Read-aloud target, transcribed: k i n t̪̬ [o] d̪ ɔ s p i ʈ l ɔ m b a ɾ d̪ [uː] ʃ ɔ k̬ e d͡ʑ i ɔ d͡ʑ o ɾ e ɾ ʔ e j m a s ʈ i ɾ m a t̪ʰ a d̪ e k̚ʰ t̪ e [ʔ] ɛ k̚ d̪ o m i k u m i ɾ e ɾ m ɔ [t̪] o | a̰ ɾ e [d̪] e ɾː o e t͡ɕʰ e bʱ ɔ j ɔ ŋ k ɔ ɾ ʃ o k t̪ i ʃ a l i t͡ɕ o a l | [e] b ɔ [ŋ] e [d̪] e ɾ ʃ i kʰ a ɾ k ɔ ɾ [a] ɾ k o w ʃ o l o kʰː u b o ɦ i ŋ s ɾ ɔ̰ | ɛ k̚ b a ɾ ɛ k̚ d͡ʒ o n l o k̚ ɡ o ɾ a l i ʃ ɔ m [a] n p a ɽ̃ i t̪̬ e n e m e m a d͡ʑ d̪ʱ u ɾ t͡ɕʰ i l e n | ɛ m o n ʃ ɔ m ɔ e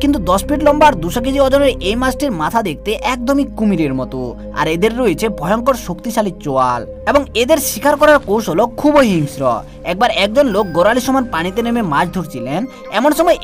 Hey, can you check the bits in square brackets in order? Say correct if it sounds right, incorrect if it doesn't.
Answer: incorrect: u, incorrect: u, correct, correct, correct, correct, correct, correct, correct, correct

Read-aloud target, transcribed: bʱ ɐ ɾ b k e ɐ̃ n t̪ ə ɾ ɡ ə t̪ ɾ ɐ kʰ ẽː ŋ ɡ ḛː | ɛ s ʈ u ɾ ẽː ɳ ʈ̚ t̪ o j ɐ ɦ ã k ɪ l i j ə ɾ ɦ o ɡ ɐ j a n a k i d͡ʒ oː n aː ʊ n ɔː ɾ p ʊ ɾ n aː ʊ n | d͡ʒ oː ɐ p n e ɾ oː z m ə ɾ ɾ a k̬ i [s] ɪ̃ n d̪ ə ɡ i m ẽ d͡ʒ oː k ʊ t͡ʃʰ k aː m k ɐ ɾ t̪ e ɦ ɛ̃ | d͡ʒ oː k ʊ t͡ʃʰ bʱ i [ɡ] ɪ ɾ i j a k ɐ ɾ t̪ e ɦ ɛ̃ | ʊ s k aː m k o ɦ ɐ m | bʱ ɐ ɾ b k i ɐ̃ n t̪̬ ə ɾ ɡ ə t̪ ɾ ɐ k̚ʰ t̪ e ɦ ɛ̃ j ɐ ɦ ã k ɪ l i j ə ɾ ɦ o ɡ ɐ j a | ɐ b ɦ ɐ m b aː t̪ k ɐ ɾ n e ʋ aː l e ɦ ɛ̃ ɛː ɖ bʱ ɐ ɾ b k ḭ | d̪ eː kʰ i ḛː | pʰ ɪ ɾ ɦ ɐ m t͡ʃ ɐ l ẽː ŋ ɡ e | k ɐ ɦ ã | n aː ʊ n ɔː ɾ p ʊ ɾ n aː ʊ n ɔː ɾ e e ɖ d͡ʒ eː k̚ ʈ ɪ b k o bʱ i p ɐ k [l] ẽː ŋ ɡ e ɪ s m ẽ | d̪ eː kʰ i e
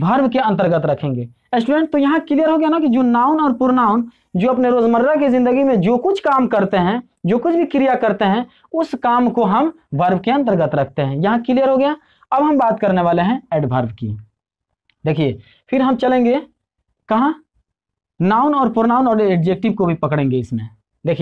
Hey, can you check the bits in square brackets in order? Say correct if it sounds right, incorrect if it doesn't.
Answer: incorrect: z, incorrect: k, incorrect: ɽ

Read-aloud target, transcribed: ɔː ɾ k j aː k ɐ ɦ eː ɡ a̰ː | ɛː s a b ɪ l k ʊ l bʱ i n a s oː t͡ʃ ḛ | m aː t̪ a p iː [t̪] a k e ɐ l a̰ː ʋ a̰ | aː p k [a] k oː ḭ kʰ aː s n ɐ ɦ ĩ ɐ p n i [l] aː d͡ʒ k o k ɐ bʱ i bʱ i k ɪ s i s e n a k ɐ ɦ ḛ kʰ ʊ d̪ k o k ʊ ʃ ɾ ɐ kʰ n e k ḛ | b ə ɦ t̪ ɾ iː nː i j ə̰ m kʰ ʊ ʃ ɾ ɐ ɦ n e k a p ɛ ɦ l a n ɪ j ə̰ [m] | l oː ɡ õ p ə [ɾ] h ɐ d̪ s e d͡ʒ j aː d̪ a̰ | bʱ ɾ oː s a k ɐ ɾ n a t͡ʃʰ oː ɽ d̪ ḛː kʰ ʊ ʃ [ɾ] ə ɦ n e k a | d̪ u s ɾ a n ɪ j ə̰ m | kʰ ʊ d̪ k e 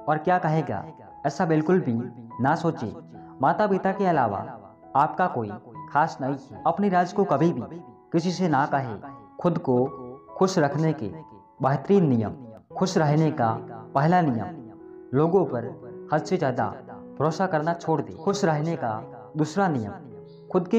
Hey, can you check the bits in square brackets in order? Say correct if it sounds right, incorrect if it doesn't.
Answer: correct, correct, incorrect: ɾ, correct, correct, correct

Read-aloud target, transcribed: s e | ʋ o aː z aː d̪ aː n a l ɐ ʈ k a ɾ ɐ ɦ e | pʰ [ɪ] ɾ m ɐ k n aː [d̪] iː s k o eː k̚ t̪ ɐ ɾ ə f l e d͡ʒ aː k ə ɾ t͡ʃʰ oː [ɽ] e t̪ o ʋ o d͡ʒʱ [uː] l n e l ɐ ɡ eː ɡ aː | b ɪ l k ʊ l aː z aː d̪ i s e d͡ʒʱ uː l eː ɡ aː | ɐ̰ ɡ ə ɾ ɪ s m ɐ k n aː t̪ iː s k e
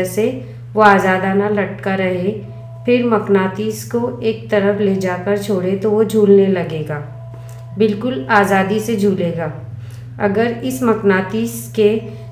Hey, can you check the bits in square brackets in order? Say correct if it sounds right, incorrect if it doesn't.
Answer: correct, incorrect: t̪, correct, correct

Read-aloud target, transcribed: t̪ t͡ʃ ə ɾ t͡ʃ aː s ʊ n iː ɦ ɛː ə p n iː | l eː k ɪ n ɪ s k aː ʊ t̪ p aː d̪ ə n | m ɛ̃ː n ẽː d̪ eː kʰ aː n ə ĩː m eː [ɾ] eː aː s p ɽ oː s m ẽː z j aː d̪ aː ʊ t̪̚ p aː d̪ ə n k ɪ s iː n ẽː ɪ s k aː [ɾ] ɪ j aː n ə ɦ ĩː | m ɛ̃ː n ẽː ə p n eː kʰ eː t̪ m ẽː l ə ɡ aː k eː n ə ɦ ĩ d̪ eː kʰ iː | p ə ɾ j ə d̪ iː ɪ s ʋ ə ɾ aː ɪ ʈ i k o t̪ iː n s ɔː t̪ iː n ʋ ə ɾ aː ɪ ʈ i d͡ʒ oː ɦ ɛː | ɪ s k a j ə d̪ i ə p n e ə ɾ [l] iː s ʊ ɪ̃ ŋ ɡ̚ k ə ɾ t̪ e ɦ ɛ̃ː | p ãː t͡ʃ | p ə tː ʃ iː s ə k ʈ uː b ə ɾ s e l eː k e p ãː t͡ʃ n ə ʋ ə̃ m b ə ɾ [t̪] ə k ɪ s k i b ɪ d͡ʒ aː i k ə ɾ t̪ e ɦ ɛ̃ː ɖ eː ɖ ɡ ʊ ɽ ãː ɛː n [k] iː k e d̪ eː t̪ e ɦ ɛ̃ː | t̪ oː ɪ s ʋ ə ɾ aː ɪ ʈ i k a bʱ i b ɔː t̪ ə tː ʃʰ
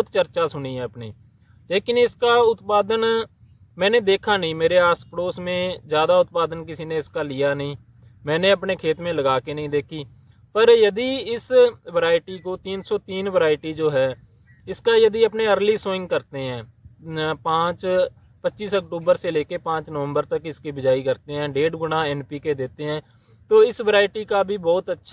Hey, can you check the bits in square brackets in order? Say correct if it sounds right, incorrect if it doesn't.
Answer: correct, incorrect: l, correct, correct, incorrect: p

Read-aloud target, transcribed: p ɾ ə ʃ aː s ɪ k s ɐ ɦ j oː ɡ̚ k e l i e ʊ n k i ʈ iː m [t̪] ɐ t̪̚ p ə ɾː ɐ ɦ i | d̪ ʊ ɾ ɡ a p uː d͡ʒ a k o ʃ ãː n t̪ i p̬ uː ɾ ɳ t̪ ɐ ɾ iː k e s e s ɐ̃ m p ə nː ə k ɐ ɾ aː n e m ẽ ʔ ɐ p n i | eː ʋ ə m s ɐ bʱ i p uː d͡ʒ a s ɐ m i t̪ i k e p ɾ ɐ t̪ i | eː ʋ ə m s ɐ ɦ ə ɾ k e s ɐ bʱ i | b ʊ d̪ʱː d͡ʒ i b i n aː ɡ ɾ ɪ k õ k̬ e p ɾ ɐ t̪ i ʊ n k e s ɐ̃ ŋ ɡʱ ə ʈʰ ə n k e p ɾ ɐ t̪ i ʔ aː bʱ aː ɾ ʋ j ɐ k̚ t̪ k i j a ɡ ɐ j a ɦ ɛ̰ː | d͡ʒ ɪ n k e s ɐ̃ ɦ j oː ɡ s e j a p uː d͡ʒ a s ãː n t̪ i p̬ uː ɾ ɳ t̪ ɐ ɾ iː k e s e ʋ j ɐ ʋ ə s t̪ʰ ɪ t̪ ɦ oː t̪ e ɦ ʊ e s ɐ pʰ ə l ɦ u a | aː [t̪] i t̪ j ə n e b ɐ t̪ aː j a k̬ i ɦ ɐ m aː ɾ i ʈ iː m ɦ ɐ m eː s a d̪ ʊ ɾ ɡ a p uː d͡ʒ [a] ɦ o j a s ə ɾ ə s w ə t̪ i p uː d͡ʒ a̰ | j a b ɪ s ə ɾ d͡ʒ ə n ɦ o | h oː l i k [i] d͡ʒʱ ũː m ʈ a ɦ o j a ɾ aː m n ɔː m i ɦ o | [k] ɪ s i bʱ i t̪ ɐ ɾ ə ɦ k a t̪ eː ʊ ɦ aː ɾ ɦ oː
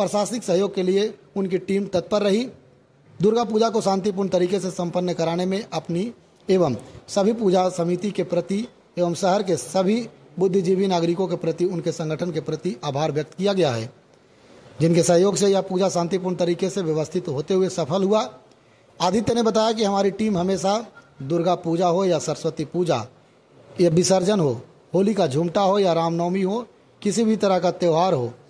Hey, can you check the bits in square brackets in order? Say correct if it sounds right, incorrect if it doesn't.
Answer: correct, incorrect: d̪, correct, incorrect: a, correct

